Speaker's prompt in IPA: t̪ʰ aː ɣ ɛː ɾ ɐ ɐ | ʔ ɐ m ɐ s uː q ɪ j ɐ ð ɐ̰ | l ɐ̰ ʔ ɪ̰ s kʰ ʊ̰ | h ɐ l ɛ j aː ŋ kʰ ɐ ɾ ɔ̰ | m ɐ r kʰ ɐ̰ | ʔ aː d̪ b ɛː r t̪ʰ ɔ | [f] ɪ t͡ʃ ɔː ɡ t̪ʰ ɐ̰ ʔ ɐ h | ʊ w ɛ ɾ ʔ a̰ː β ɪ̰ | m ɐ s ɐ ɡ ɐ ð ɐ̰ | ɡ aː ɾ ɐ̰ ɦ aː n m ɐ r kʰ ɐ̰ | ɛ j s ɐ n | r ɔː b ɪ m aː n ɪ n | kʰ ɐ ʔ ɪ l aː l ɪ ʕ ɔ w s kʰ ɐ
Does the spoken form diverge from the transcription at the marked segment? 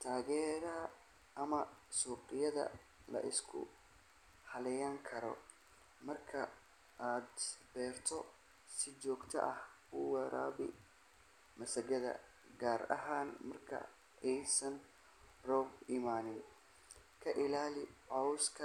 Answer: yes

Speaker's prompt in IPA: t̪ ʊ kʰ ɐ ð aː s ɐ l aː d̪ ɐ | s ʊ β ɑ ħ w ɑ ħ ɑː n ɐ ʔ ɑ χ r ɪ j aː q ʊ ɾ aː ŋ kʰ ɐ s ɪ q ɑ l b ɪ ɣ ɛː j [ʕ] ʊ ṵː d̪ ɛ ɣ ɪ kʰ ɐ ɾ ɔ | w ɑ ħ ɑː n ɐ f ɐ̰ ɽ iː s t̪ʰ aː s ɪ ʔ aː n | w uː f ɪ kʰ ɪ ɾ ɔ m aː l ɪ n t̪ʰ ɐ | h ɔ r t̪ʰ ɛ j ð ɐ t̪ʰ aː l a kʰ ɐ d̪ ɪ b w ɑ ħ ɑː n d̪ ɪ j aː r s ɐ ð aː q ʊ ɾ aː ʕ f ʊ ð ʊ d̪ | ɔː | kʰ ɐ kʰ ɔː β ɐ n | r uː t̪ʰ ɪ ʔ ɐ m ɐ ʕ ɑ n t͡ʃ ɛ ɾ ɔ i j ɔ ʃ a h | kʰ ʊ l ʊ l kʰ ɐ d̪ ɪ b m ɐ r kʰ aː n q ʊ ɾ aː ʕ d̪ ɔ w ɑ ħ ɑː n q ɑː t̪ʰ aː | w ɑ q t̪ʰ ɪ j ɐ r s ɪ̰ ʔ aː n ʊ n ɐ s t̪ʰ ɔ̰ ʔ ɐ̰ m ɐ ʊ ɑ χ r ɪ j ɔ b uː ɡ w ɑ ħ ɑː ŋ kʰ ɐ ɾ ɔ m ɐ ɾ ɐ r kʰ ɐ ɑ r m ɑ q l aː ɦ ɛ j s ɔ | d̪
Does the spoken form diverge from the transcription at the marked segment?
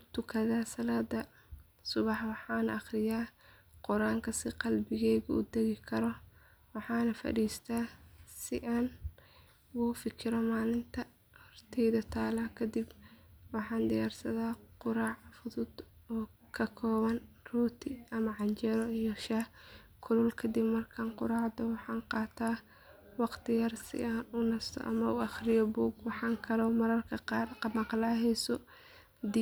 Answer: yes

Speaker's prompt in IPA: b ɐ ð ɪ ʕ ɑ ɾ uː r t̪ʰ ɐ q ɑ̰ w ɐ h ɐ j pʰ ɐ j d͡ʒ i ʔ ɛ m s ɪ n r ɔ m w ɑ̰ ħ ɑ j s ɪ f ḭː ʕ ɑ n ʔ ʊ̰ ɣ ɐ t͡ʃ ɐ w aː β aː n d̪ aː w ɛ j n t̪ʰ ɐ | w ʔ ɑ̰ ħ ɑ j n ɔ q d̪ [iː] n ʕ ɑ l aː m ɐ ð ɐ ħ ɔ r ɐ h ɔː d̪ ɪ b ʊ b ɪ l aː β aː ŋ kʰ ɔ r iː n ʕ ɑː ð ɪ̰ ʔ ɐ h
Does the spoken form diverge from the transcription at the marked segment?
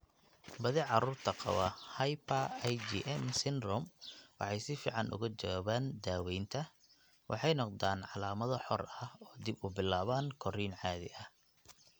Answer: yes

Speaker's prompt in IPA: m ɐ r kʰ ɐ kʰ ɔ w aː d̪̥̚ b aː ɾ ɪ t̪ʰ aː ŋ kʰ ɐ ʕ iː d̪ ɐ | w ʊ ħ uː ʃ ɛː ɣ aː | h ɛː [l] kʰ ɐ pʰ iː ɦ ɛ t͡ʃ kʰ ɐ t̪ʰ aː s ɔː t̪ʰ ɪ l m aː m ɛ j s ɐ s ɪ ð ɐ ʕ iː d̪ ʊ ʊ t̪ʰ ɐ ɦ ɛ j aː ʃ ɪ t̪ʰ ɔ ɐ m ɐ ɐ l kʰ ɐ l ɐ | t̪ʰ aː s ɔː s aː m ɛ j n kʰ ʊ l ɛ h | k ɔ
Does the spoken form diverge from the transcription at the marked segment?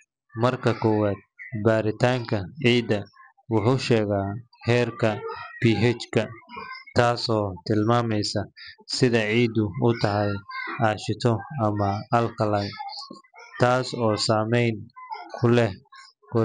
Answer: yes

